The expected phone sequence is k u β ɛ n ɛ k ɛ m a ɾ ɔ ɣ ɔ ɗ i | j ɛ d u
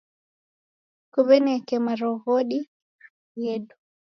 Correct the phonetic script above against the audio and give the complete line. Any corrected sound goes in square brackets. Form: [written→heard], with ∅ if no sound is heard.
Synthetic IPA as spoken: k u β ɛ n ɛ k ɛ m a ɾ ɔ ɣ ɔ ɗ i | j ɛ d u